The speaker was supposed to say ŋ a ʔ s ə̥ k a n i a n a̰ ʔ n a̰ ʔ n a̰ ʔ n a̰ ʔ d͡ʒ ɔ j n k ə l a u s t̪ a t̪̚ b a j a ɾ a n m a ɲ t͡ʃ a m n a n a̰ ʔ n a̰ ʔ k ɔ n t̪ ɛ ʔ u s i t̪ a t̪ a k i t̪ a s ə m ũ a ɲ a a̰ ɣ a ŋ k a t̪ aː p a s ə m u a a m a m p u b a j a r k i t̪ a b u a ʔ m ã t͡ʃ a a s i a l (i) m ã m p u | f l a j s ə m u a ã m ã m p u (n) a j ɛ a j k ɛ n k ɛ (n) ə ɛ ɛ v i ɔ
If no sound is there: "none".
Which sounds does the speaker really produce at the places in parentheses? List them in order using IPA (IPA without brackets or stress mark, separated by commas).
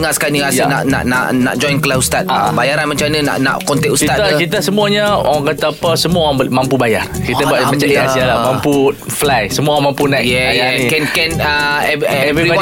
a, n, n